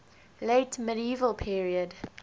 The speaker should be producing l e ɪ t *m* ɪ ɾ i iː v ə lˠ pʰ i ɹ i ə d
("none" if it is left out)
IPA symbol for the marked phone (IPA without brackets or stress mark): m